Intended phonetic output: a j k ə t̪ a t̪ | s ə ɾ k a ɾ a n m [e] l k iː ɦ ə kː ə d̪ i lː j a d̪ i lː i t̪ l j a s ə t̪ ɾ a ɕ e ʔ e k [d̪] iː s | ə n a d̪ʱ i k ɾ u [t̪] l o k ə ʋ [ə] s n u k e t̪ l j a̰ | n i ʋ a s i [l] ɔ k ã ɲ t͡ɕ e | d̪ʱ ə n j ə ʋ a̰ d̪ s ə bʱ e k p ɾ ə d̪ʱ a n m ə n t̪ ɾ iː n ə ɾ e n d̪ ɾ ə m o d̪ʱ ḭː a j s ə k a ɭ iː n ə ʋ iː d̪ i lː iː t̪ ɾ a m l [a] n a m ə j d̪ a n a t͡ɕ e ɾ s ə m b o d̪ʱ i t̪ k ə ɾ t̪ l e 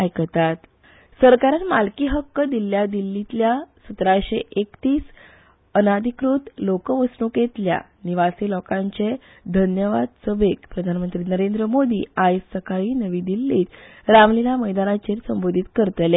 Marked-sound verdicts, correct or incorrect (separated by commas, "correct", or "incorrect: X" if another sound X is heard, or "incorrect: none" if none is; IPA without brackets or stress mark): incorrect: a, incorrect: t̪, correct, correct, correct, incorrect: i